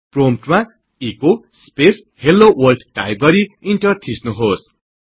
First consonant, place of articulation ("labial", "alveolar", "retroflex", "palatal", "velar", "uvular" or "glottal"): labial